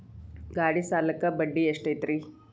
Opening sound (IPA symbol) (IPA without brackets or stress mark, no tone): ɡ